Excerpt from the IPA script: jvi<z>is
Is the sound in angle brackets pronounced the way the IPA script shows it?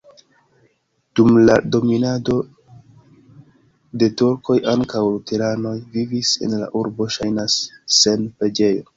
no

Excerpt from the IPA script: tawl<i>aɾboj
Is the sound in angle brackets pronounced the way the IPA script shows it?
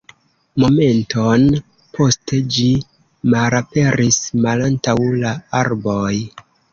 no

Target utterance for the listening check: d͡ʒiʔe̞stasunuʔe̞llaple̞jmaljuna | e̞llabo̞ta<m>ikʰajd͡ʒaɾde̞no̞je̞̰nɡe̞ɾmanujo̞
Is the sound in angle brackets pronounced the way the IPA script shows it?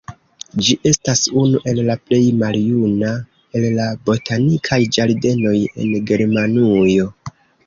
no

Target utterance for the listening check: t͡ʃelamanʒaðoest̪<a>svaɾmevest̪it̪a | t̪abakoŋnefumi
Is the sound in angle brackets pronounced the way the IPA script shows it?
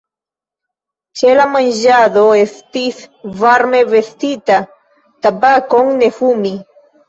no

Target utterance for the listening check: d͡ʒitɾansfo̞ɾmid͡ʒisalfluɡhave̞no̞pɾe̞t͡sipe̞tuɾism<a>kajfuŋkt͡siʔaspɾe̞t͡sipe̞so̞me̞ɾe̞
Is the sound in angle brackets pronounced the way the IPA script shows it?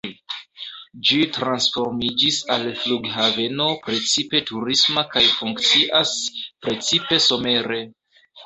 yes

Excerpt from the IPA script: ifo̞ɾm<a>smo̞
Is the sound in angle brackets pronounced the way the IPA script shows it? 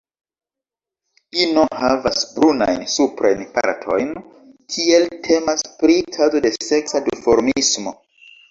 no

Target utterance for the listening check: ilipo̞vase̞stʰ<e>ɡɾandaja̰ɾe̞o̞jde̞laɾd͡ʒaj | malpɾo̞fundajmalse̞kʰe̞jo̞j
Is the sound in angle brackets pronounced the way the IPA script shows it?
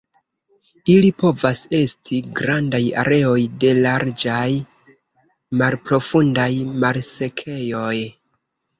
no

